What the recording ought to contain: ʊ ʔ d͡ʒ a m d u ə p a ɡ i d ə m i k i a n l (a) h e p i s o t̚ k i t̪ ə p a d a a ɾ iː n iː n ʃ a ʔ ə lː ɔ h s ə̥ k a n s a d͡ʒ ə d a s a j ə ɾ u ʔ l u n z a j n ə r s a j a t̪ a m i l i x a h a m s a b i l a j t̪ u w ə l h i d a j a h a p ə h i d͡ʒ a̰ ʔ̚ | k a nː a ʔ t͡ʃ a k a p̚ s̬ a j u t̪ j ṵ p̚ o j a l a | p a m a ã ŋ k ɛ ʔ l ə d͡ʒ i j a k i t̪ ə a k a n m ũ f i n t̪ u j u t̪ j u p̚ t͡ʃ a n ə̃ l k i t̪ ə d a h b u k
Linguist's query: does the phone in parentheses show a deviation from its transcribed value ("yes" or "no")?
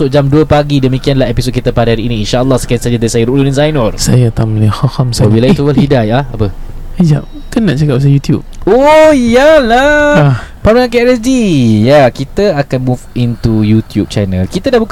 no